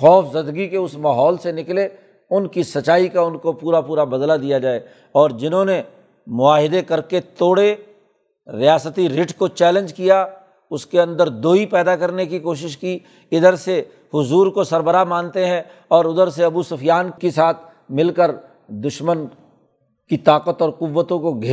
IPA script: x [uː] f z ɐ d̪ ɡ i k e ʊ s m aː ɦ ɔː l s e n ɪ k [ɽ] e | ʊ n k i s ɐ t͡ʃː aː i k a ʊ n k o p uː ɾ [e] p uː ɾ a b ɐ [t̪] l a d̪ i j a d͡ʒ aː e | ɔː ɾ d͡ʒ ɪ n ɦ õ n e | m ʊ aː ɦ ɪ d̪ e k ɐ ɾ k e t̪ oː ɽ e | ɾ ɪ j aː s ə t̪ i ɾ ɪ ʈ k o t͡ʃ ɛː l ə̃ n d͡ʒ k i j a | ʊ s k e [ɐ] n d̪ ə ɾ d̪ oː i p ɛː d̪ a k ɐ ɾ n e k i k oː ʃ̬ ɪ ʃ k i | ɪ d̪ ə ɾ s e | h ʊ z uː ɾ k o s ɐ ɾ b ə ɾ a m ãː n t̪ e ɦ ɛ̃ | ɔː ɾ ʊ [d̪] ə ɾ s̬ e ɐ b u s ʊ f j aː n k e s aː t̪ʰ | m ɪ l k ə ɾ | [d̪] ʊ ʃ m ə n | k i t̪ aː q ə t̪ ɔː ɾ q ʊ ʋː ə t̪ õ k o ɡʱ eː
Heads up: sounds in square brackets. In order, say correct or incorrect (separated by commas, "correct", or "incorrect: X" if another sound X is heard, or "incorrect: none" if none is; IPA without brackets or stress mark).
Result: incorrect: ɔː, incorrect: l, incorrect: a, incorrect: d̪, incorrect: ɐ̃, correct, correct